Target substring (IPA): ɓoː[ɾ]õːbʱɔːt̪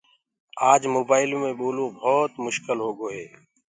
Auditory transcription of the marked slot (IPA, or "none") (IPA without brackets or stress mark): l